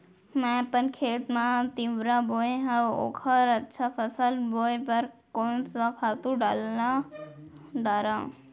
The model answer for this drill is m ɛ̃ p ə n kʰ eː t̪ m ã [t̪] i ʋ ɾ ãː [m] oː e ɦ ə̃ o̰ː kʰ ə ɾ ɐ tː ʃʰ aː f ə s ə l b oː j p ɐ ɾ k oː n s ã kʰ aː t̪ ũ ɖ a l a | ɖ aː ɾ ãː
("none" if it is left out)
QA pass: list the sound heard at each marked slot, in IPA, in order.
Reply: t̪, b

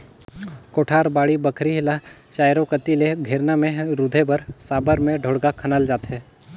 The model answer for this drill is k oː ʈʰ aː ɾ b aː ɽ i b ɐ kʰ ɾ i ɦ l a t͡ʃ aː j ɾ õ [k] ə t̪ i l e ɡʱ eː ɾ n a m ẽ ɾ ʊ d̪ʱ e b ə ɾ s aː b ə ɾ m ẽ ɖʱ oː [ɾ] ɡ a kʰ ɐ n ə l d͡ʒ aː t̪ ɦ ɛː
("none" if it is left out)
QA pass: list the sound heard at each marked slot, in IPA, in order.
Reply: k, ɽ

